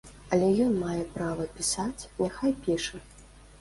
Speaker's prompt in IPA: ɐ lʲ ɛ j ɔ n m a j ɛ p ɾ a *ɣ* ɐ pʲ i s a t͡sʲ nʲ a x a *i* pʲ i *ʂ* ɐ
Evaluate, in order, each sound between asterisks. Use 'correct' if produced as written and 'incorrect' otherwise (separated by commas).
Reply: incorrect, incorrect, correct